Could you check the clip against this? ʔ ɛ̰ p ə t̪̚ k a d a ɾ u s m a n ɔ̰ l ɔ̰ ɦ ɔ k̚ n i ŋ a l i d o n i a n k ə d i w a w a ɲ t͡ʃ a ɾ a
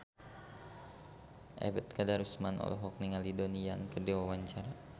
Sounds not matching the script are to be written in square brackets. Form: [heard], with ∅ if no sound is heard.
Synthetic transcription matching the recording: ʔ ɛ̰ [b] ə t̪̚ k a d a ɾ u s m a n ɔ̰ l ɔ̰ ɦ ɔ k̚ n i ŋ a l i d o n i a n k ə d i w a w a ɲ t͡ʃ a ɾ a